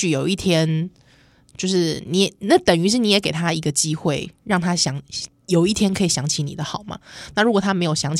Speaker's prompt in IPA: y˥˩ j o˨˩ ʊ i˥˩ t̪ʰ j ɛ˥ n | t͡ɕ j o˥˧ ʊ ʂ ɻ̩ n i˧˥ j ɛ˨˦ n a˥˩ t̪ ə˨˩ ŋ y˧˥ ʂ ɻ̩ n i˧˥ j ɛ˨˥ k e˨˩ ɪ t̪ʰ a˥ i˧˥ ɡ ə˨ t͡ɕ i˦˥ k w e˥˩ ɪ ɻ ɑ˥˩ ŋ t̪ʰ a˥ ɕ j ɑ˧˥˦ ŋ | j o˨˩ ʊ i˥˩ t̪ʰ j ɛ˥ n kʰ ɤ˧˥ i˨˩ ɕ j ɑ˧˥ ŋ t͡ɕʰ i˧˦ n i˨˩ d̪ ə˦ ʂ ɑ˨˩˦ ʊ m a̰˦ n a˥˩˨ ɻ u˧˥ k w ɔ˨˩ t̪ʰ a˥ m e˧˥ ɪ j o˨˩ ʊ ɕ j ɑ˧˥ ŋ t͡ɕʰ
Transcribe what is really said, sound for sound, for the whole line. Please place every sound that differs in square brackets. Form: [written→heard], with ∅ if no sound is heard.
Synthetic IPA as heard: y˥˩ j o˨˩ ʊ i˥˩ t̪ʰ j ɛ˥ n | t͡ɕ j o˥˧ ʊ ʂ ɻ̩ n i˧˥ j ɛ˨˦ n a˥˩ t̪ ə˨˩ ŋ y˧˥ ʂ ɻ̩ n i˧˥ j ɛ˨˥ k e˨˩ ɪ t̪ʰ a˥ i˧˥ ɡ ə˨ t͡ɕ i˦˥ [k→x] w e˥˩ ɪ ɻ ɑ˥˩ ŋ t̪ʰ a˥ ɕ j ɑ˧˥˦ ŋ | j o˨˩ ʊ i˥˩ t̪ʰ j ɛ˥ n kʰ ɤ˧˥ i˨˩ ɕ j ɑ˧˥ ŋ t͡ɕʰ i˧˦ n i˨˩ d̪ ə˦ [ʂ→x] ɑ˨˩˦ ʊ m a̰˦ n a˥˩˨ ɻ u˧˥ k w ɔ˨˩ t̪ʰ a˥ m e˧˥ ɪ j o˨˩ ʊ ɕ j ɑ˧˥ ŋ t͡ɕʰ